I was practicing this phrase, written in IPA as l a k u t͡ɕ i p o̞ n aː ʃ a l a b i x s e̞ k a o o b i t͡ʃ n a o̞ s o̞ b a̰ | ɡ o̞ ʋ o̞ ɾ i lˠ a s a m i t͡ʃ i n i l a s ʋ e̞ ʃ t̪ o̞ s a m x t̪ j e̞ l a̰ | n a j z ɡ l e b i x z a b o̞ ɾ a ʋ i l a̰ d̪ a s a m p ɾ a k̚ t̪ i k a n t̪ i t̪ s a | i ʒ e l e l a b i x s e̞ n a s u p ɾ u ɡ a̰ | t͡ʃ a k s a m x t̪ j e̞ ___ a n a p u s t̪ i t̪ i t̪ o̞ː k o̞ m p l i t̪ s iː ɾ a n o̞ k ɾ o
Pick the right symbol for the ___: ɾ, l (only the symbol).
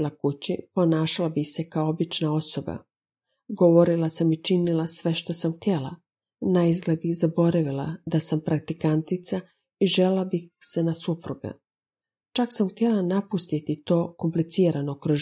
l